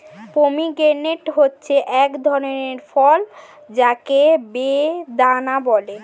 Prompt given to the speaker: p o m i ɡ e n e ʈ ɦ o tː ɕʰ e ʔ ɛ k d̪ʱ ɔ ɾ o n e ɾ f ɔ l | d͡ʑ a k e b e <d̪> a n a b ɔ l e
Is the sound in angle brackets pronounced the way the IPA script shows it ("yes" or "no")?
yes